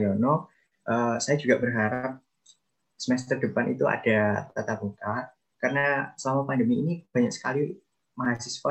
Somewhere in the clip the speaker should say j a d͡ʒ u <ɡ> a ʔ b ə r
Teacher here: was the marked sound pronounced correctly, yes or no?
yes